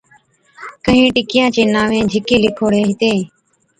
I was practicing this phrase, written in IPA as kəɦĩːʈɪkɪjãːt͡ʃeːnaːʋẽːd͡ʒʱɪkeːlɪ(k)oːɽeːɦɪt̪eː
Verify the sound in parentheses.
incorrect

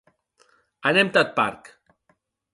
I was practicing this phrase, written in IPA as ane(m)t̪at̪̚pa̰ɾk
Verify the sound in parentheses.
correct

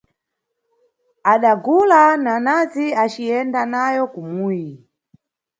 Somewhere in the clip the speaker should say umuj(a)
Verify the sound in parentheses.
incorrect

